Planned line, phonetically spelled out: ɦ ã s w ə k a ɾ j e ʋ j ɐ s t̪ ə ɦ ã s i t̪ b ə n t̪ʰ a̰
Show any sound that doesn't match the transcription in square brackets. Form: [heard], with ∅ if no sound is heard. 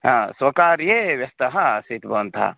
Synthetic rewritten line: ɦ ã s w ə k a ɾ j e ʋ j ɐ s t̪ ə ɦ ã s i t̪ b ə n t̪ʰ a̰